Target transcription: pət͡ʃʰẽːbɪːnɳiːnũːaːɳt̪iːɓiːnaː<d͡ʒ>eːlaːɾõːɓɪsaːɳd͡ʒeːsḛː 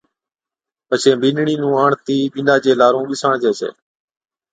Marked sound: correct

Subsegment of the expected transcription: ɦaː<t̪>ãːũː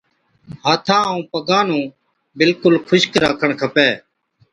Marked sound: incorrect: t̪ʰ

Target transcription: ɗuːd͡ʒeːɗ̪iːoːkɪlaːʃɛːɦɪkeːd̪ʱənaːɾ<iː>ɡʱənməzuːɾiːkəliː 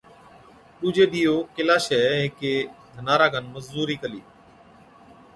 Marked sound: incorrect: aː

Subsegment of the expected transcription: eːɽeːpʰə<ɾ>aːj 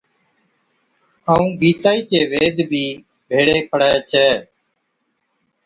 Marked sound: incorrect: ɽ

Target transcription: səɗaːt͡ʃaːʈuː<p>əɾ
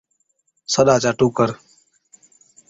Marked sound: incorrect: k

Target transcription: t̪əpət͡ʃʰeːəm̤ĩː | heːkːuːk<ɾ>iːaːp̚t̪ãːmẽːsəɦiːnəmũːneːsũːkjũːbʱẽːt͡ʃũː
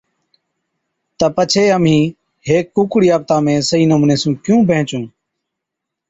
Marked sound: incorrect: ɽ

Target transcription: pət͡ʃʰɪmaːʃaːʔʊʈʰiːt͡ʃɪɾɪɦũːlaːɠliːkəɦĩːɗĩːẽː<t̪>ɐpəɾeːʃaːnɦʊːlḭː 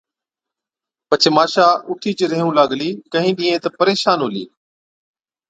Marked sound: correct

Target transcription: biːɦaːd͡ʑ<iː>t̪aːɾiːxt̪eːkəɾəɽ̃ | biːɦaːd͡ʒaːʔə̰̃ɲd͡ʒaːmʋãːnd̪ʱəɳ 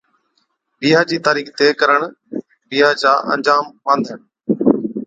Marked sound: correct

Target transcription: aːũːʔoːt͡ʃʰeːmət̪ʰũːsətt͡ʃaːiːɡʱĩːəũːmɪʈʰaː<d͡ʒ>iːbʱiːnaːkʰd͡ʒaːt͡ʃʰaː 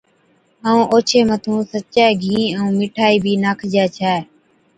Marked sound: incorrect: none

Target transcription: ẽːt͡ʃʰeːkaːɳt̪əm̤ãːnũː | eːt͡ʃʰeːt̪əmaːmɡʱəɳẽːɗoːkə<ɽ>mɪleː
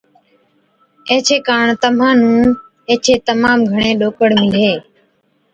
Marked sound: correct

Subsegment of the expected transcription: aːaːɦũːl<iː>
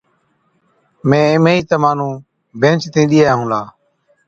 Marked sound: incorrect: aː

